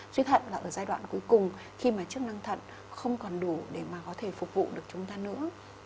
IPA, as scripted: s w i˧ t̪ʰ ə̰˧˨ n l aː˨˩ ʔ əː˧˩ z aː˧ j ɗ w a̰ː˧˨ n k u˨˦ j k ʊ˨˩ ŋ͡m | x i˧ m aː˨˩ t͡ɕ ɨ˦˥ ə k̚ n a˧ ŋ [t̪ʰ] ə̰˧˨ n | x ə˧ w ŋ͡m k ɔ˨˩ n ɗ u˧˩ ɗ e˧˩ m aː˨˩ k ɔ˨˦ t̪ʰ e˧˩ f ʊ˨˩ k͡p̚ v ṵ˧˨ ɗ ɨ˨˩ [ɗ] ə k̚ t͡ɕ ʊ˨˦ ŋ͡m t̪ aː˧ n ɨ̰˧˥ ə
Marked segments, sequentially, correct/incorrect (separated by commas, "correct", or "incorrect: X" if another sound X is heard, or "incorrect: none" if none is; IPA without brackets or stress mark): correct, incorrect: none